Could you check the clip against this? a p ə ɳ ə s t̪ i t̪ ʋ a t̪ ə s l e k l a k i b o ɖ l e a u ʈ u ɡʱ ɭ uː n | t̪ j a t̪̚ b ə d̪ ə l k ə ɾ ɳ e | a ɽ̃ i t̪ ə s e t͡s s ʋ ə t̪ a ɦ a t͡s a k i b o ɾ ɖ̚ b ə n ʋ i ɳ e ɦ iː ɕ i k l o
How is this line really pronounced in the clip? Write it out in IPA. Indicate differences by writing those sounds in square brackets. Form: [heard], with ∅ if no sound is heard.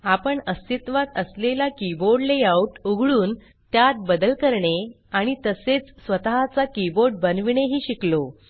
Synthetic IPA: a p ə ɳ ə s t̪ i t̪ ʋ a t̪ ə s l e [∅] l a k i b o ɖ l e a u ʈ u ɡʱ ɭ uː n | t̪ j a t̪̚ b ə d̪ ə l k ə ɾ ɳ e | a ɽ̃ i t̪ ə s e t͡s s ʋ ə t̪ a ɦ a t͡s a k i b o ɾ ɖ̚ b ə n ʋ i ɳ e ɦ iː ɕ i k l o

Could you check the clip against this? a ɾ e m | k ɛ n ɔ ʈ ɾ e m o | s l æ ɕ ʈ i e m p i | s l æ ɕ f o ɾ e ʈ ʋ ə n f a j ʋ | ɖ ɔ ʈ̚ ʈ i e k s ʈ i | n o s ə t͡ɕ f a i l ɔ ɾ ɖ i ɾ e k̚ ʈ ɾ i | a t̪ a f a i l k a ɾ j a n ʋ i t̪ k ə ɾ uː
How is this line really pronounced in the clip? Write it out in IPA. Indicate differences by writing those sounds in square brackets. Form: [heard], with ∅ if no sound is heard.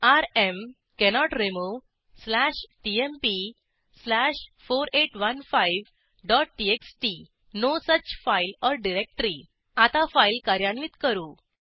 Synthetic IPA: a ɾ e m | k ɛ n ɔ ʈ ɾ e m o | s l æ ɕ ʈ i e m p i | s l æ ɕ f o ɾ e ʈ ʋ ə n f a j ʋ | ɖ ɔ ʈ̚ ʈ i e k s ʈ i | n o s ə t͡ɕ f a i l ɔ ɾ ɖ i ɾ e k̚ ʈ ɾ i | a t̪ a f a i l k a ɾ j a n ʋ i t̪ k ə ɾ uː

